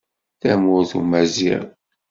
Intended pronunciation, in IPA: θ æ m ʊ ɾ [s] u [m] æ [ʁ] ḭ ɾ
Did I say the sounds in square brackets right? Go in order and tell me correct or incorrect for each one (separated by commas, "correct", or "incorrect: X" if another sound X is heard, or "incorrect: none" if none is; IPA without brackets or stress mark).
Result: incorrect: θ, correct, incorrect: z